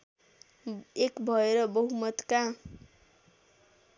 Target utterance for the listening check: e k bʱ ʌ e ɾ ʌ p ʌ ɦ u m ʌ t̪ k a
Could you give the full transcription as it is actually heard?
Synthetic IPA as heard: e k bʱ ʌ e ɾ ʌ b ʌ ɦ u m ʌ t̪ k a